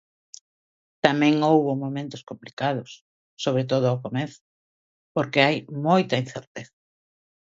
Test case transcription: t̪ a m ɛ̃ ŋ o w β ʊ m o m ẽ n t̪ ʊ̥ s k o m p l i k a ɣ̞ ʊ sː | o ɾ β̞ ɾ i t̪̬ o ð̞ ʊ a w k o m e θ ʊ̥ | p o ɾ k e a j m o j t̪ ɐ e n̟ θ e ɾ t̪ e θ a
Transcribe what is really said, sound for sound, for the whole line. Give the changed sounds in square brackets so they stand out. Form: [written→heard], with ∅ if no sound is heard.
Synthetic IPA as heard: t̪ a m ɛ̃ ŋ o w β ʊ m o m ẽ n t̪ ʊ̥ s k o m p l i k a [ɣ̞→ð̞] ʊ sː | o [ɾ→∅] β̞ ɾ [i→e] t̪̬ o ð̞ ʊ a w k o m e θ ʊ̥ | p o ɾ k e a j m o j t̪ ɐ [e→i] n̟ θ e ɾ t̪ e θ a